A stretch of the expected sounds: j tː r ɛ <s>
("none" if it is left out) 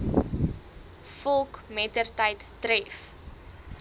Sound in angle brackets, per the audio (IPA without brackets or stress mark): f